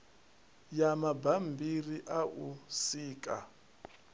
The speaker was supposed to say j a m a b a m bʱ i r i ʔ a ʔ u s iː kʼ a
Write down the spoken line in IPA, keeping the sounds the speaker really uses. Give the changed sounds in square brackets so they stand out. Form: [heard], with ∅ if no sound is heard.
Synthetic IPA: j a m a b a m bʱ i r i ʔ a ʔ u s iː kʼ a